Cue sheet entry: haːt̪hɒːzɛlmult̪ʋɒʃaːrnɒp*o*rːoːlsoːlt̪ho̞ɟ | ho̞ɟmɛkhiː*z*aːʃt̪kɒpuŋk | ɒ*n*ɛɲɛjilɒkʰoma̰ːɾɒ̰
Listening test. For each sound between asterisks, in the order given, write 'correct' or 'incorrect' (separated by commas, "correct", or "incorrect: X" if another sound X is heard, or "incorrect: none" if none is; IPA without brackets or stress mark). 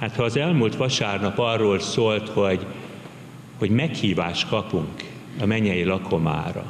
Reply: incorrect: ɒ, incorrect: v, incorrect: m